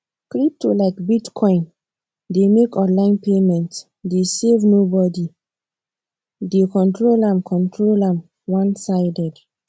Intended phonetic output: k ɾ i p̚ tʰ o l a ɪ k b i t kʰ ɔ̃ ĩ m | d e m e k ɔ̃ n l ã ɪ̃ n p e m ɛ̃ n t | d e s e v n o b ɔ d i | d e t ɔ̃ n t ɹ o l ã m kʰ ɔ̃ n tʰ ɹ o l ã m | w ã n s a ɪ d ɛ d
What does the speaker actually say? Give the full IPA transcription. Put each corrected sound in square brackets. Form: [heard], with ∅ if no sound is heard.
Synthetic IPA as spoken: k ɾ i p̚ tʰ o l a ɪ k b i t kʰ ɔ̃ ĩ [n] | d e m e k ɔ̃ n l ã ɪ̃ n p e m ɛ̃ n t | d e s e v n o b ɔ d i | d e [k] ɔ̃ n t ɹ o l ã m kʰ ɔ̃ n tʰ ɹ o l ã m | w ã n s a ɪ d ɛ d